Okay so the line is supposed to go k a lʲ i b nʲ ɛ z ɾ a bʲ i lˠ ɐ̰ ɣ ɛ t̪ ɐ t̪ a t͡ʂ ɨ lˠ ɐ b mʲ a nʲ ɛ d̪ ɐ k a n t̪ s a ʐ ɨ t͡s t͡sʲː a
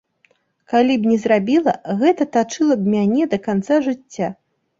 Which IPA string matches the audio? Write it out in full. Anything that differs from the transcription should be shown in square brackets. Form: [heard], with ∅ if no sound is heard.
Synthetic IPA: k a lʲ i b nʲ ɛ z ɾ a bʲ i lˠ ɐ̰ ɣ ɛ t̪ ɐ t̪ a t͡ʂ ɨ lˠ ɐ b mʲ a nʲ ɛ d̪ ɐ k a n t̪ s a ʐ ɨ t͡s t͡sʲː a